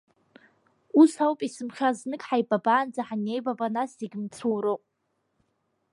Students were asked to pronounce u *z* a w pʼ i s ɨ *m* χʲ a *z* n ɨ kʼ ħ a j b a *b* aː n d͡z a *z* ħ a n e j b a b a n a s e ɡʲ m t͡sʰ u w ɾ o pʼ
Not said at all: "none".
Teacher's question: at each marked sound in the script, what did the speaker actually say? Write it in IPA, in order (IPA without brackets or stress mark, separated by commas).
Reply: s, m, z, b, none